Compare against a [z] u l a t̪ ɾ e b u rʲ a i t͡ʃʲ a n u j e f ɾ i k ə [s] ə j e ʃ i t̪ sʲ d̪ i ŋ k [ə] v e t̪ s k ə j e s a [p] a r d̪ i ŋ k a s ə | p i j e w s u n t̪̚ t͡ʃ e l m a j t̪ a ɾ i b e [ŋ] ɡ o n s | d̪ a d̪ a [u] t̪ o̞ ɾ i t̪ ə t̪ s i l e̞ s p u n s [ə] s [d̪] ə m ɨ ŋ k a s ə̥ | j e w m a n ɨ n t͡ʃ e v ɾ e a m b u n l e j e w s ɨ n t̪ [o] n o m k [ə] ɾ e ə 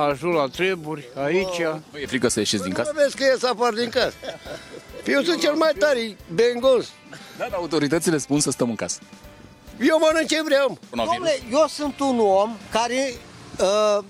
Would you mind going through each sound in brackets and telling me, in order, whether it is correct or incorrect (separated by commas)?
incorrect, correct, incorrect, correct, correct, correct, correct, incorrect, incorrect, incorrect